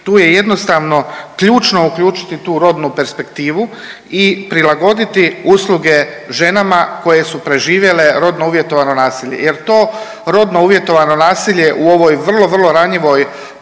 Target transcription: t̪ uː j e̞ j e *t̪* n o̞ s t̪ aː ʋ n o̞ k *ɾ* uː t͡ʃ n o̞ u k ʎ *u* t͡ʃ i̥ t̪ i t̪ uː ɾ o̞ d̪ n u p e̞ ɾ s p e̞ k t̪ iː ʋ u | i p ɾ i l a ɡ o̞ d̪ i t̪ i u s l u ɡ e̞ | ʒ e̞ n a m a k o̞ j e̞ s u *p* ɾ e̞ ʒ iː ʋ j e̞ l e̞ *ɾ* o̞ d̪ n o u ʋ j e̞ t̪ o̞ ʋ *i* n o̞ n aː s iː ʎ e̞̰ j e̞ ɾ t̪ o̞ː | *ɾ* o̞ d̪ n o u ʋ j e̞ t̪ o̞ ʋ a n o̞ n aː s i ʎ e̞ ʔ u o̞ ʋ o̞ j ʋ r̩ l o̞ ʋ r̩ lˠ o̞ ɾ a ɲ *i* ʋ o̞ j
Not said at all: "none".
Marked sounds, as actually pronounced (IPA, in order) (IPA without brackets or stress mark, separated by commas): d̪, ʎ, uː, p, ɾ, a, ɾ, i